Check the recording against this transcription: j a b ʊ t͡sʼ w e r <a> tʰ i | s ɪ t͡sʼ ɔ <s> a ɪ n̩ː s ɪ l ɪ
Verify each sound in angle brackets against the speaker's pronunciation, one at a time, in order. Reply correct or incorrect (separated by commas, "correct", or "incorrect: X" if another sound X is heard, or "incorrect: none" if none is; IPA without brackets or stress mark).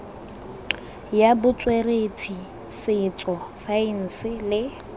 incorrect: e, correct